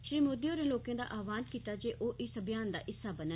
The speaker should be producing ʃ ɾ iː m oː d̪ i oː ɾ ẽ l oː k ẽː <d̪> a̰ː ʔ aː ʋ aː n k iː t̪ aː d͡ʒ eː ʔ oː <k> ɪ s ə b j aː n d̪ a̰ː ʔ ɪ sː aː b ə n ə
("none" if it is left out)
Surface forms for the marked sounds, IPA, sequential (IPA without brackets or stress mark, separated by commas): d̪, ʔ